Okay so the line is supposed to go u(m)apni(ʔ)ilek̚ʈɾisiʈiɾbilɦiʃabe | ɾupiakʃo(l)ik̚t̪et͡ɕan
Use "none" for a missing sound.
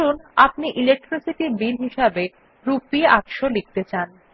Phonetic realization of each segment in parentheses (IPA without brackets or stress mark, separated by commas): n, ʔ, l